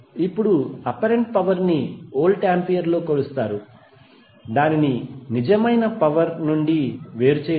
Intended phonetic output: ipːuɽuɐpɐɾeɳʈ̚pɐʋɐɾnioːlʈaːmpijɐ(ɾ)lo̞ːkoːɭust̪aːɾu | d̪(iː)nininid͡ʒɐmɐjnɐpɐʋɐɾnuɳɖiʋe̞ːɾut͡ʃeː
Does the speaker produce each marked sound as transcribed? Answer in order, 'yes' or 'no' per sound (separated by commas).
yes, no